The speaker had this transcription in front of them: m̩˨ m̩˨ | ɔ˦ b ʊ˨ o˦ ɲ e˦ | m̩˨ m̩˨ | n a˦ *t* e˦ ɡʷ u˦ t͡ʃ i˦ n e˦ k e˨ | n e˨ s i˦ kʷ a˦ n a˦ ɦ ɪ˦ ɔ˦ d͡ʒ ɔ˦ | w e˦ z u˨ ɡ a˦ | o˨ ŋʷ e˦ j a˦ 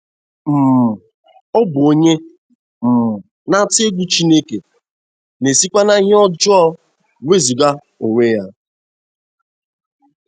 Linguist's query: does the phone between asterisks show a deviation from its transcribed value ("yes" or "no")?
no